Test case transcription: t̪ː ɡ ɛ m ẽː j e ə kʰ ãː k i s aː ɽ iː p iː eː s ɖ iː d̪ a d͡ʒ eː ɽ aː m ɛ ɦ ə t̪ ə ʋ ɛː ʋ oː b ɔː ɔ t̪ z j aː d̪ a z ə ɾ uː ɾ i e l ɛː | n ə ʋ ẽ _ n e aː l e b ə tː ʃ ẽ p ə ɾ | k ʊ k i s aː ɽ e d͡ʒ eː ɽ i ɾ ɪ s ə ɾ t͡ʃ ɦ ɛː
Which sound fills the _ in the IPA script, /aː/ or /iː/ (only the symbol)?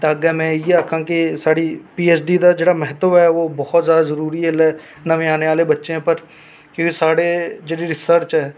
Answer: aː